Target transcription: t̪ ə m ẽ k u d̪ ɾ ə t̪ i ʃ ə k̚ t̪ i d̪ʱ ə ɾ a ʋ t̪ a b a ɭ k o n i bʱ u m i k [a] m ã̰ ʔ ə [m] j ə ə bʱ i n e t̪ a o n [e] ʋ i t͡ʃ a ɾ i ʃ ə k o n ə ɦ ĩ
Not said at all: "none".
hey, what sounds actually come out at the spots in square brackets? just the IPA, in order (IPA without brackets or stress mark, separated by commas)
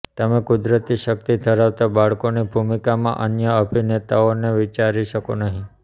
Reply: a, n, e